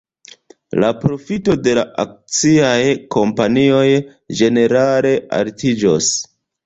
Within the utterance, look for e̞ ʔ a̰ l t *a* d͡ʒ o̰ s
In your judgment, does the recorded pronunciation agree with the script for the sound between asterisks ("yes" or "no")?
no